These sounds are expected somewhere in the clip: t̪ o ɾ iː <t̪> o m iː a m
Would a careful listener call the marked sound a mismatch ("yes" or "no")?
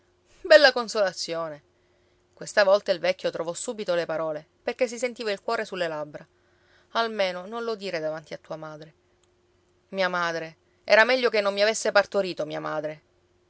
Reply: no